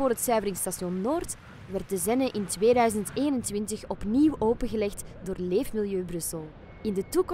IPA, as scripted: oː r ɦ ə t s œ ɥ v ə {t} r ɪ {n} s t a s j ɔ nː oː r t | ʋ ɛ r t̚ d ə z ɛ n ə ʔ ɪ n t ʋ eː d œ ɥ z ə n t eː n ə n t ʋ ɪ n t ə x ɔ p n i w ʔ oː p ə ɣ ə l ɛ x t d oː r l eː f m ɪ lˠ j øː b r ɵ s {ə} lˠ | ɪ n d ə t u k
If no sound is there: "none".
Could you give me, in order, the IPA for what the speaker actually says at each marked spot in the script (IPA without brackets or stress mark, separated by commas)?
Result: none, ŋ, ə